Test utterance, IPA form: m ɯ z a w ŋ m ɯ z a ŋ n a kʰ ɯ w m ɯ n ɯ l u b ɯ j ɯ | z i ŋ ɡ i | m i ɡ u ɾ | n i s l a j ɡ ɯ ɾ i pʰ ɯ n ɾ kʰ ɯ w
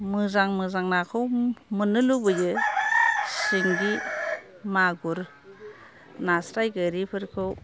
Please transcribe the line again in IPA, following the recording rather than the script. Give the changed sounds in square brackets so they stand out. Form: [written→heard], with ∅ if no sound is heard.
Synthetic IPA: m ɯ z a [w→∅] ŋ m ɯ z a ŋ n a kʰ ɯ w m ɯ n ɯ l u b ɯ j ɯ | [z→s] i ŋ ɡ i | m [i→a] ɡ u ɾ | n [i→a] s [l→ɾ] a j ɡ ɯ ɾ i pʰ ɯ [n→∅] ɾ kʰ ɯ w